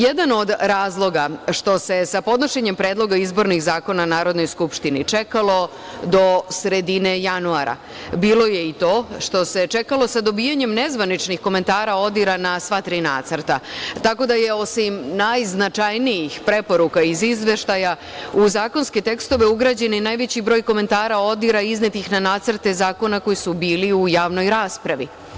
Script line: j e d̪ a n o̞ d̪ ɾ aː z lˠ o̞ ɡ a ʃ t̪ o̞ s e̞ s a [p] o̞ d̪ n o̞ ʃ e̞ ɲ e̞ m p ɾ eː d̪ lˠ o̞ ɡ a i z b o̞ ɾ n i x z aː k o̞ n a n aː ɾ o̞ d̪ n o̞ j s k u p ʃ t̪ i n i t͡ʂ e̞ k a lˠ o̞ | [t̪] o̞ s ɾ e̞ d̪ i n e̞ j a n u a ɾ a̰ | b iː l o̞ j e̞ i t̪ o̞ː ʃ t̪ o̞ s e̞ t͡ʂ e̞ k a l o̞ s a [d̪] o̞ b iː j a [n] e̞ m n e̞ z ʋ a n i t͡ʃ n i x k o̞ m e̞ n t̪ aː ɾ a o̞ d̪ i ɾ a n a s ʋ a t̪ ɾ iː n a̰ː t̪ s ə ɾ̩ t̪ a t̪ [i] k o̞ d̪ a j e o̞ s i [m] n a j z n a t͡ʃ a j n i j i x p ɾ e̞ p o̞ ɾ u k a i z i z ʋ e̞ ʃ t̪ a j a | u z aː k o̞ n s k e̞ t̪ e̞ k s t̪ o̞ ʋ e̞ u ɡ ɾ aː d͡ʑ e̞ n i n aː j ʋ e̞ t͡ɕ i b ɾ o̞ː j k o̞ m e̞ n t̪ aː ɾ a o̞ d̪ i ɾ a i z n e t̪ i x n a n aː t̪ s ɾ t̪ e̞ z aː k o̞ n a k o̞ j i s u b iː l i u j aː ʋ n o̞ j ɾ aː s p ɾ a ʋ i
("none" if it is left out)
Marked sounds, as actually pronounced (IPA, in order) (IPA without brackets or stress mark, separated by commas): p, d̪, d̪, ɲ, a, m